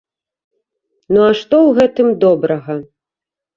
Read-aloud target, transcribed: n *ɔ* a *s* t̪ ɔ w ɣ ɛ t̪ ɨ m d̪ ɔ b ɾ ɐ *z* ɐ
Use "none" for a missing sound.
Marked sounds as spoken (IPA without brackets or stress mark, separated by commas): u, ʂ, ɣ